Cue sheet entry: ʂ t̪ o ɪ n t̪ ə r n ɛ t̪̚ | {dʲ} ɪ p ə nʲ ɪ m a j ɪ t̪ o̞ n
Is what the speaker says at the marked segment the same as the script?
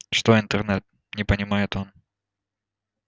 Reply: no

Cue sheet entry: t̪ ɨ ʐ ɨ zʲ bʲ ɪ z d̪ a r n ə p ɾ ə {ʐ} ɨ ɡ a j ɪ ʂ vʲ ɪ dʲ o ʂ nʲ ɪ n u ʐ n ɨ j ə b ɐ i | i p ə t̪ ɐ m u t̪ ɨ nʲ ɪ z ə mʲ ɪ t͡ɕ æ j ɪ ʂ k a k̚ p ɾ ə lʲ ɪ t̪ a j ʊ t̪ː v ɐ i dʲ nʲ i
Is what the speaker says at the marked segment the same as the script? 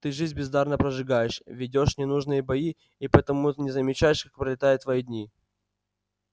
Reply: yes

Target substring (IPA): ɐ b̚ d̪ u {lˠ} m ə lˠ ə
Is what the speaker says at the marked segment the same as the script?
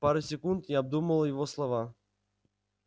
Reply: no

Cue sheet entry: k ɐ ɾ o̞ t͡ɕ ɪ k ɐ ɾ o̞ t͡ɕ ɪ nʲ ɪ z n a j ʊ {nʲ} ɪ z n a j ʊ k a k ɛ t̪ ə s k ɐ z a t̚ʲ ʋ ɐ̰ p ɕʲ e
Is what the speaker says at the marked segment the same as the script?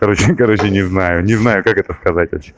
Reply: yes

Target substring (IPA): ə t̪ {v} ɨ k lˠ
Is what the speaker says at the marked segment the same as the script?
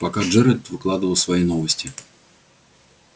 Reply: yes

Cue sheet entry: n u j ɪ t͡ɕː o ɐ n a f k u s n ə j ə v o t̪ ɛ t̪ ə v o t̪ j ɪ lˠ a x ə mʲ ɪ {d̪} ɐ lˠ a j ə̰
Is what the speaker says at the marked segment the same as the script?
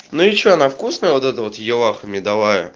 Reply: yes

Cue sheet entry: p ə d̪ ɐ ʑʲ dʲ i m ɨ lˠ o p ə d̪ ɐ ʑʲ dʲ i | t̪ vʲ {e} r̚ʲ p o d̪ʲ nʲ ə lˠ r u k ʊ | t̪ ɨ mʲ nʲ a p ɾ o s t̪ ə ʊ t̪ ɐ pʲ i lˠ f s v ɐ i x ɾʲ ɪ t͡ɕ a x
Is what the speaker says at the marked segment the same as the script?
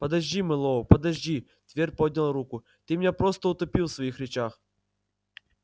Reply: yes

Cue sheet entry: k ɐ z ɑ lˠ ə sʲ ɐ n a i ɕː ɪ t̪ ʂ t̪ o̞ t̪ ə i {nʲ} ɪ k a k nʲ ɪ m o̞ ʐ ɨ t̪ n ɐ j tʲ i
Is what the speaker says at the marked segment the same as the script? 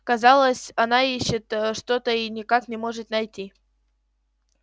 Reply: yes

